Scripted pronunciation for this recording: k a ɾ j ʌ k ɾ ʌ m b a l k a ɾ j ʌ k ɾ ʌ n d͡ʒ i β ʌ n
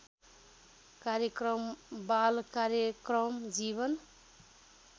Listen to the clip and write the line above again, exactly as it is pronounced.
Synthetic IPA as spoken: k a ɾ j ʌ k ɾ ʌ m b a l k a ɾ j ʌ k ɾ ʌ m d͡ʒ i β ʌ n